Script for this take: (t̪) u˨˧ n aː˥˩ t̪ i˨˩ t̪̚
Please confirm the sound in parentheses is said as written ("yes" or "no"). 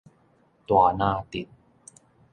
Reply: yes